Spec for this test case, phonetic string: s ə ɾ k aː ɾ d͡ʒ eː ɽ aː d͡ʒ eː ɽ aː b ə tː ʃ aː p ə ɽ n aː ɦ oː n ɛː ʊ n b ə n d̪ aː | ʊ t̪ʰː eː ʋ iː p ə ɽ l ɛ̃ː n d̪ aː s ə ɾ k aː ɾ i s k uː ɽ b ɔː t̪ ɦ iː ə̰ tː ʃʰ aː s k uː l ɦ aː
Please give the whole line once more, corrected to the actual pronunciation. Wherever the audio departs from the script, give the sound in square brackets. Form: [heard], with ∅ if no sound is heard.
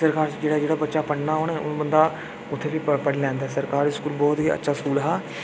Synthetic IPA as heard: s ə ɾ k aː ɾ d͡ʒ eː ɽ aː d͡ʒ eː ɽ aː b ə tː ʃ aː p ə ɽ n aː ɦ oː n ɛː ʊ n b ə n d̪ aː | ʊ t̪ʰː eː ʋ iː p ə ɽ l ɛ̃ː n d̪ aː s ə ɾ k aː ɾ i s k uː [l] b ɔː t̪ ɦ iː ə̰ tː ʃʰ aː s k uː l ɦ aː

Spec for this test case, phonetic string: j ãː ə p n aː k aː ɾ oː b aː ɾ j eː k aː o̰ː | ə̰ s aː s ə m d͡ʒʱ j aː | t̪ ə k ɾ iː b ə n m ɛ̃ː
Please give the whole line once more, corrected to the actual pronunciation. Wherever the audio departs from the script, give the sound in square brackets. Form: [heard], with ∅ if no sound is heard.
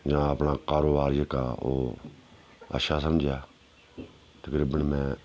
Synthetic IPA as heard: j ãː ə p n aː k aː ɾ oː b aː ɾ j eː k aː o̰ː | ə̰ [ʃ] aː s ə m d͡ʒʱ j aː | t̪ ə k ɾ iː b ə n m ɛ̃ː

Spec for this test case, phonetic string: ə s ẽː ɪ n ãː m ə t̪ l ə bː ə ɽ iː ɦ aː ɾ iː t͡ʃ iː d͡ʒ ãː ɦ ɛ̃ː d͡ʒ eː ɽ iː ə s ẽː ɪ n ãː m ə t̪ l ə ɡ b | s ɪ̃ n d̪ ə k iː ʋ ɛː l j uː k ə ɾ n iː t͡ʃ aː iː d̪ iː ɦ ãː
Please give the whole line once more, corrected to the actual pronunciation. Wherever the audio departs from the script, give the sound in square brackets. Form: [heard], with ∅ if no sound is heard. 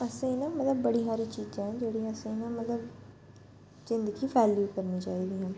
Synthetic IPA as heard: ə s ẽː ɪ n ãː m ə t̪ l ə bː ə ɽ iː ɦ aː ɾ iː t͡ʃ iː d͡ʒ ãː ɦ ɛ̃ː d͡ʒ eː ɽ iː ə s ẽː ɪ n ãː m ə t̪ l ə [∅] b | [z] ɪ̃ n d̪ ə [ɡ] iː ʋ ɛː l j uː k ə ɾ n iː t͡ʃ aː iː d̪ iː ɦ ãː

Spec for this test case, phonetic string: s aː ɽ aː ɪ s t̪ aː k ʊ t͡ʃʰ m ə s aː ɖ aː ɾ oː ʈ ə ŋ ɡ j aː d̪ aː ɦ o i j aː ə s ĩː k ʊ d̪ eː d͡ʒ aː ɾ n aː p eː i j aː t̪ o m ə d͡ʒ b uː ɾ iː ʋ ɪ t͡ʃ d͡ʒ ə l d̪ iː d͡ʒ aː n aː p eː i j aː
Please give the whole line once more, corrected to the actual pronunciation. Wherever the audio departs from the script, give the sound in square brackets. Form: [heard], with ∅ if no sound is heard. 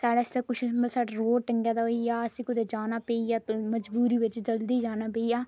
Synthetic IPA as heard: s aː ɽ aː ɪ s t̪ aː k ʊ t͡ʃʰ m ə s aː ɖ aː ɾ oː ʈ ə ŋ ɡ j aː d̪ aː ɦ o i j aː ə s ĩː k ʊ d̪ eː d͡ʒ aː [∅] n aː p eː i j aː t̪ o m ə d͡ʒ b uː ɾ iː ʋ ɪ t͡ʃ d͡ʒ ə l d̪ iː d͡ʒ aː n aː p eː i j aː

